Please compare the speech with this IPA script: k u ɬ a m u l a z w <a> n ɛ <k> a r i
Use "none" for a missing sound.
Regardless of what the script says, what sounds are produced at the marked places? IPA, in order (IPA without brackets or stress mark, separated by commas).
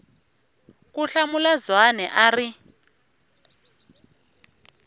a, ʔ